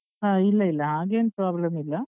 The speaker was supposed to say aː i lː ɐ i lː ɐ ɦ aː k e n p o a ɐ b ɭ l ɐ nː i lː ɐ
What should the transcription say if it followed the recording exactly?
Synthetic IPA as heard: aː i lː ɐ i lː ɐ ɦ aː ɡ e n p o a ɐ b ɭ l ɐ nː i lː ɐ